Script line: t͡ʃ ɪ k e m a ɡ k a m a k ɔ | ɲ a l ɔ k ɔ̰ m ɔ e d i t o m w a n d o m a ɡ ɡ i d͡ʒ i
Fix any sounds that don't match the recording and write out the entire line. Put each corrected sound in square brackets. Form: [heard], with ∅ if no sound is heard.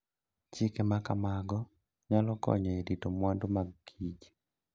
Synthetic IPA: t͡ʃ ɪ k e m a [∅] k a m a [ɡ] ɔ | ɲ a l ɔ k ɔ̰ [ɲ] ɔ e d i t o m w a n d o m a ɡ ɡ i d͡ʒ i